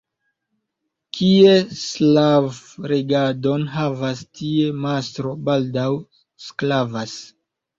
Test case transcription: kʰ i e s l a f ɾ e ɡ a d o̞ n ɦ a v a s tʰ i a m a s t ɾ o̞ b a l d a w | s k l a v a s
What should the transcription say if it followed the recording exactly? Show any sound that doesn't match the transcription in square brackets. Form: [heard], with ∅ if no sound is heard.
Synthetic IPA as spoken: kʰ i e s l a [v] ɾ e ɡ a d o̞ n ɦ a v a s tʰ i [e] m a s t ɾ o̞ b a l d a w | s k l a v a s